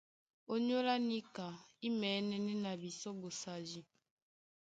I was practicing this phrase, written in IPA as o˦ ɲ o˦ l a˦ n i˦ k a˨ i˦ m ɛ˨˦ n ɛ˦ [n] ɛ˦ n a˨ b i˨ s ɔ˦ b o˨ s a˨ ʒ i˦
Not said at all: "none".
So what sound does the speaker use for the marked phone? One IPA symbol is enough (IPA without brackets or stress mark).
n